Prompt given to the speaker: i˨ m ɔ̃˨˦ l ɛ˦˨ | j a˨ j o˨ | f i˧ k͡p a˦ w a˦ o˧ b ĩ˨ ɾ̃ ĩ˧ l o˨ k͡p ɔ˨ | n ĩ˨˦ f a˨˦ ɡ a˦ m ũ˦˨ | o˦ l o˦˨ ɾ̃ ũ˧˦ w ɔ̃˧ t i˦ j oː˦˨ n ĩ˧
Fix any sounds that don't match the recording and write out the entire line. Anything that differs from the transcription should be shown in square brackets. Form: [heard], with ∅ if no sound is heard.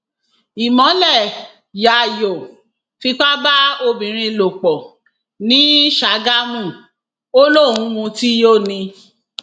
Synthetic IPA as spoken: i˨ m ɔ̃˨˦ l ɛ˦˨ | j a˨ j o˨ | f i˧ k͡p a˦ [b] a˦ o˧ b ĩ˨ ɾ̃ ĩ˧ l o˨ k͡p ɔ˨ | n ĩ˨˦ [ʃ] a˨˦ ɡ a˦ m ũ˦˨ | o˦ l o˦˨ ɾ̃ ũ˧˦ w [ũ˧] t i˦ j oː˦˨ n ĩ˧